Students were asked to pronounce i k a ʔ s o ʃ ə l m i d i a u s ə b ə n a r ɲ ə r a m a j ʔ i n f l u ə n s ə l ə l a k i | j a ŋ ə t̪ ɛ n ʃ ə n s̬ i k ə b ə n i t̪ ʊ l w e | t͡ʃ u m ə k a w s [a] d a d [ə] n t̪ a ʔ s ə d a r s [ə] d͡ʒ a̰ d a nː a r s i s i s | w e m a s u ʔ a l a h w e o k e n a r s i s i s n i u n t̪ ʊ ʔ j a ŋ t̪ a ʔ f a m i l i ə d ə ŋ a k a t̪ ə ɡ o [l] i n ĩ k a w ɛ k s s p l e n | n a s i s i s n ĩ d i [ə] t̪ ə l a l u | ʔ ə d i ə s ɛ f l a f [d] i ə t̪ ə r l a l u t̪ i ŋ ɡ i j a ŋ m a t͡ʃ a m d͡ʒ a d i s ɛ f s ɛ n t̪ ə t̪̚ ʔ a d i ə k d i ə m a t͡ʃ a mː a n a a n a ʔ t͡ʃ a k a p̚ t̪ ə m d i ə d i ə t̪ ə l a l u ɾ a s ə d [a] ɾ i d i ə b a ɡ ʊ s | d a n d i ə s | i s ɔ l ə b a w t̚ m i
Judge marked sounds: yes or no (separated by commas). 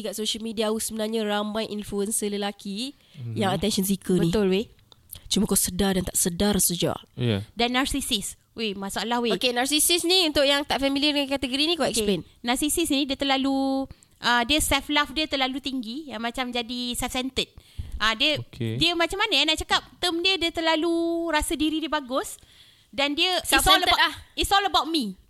no, no, yes, no, yes, yes, no